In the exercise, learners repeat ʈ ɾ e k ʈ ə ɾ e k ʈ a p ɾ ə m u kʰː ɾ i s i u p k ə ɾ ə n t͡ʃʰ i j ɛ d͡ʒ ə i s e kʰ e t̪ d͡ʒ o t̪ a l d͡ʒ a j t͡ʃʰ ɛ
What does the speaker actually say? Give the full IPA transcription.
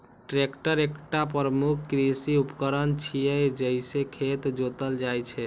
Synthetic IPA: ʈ ɾ e k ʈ ə ɾ e k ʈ a p ɾ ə m u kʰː ɾ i s i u p k ə ɾ ə n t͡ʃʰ i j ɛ d͡ʒ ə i s e kʰ e t̪ d͡ʒ o t̪ ə l d͡ʒ a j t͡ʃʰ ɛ